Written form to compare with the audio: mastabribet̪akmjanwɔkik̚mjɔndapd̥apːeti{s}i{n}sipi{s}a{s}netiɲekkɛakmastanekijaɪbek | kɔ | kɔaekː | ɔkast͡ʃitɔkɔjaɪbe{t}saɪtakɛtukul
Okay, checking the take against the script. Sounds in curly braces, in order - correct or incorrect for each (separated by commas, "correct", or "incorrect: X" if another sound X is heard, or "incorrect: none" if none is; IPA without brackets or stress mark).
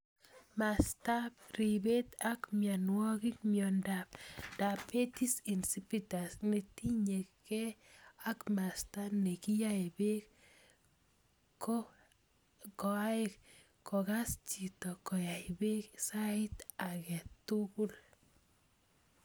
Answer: correct, correct, incorrect: t, correct, incorrect: k